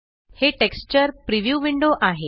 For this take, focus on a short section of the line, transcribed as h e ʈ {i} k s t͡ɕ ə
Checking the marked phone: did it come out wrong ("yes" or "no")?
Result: yes